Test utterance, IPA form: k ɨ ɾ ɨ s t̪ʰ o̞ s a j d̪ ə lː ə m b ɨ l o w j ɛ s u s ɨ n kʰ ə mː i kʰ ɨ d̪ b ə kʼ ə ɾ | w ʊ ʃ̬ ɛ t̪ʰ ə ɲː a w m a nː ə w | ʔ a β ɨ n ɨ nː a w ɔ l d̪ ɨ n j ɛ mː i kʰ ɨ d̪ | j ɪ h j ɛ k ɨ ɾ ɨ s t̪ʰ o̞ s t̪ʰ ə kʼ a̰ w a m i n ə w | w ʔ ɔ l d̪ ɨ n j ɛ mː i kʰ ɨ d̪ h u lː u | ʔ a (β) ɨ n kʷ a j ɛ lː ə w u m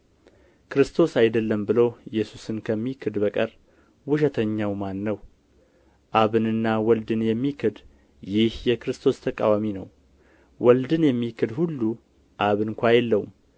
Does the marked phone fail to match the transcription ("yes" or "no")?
no